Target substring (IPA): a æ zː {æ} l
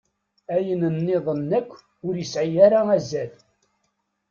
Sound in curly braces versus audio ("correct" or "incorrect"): correct